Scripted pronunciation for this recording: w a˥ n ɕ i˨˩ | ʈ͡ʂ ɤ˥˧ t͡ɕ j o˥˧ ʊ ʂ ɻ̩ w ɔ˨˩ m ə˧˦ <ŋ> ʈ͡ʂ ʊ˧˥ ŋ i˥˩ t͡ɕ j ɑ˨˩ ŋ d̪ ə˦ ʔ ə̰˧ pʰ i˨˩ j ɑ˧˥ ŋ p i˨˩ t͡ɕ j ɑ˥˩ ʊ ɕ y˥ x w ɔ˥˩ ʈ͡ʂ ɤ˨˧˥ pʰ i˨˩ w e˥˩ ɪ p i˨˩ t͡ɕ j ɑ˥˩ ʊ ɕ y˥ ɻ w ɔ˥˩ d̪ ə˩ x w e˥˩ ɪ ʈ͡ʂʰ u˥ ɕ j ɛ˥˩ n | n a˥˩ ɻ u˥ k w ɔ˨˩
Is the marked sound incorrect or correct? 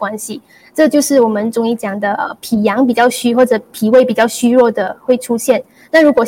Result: incorrect